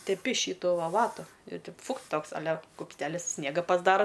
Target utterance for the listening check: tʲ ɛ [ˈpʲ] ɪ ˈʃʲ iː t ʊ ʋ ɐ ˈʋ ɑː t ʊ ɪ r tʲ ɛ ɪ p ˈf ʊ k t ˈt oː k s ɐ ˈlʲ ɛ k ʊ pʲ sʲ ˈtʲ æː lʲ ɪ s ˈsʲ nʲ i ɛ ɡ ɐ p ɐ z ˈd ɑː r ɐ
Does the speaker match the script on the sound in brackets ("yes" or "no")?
yes